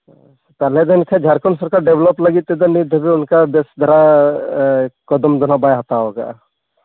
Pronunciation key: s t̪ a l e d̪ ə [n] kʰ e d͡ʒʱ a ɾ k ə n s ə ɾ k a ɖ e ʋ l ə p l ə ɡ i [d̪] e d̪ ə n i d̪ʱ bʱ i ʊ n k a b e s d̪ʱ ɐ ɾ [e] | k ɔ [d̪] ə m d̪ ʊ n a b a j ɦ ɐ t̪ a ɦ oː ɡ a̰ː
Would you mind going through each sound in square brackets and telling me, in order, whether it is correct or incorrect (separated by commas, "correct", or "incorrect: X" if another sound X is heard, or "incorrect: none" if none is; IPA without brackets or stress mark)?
correct, incorrect: t̪, incorrect: a, correct